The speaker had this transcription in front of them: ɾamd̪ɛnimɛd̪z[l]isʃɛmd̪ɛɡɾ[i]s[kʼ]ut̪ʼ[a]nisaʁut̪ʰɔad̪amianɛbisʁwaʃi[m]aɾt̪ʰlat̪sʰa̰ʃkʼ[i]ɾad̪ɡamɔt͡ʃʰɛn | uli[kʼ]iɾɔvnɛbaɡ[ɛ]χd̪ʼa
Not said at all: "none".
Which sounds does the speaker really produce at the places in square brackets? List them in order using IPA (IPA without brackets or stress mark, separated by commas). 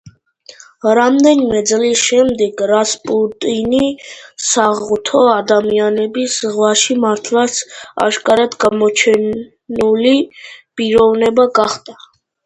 l, a, pʼ, i, m, a, pʼ, a